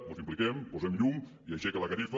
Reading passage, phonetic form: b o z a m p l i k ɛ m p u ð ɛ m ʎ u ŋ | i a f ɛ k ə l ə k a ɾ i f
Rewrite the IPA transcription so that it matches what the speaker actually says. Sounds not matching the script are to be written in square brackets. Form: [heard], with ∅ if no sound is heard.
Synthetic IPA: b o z [i] m p l i k ɛ m p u [z] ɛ m ʎ u ŋ | i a [ʃ] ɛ k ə l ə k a ɾ i f